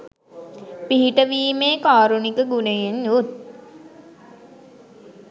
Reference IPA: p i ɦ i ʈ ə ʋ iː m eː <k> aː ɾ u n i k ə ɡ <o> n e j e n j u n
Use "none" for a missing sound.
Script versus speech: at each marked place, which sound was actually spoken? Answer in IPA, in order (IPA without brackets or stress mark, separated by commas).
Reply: k, u